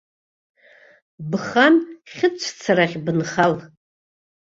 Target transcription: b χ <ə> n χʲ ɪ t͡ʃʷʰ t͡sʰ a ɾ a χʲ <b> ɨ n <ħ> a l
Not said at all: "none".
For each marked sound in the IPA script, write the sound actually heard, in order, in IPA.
a, b, χ

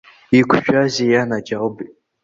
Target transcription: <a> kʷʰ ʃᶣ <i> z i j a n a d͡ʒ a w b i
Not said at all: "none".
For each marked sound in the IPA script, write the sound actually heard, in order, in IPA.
i, a

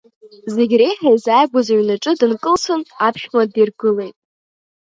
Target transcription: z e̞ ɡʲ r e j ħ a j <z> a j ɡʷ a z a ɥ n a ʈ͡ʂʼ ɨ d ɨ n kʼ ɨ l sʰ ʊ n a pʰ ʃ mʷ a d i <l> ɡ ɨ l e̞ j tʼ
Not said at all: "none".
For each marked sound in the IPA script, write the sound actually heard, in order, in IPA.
z, r

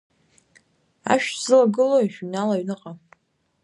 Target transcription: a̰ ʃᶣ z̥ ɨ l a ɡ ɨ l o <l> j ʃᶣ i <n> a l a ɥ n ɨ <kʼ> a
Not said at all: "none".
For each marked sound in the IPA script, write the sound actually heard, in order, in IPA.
none, n, qʼ

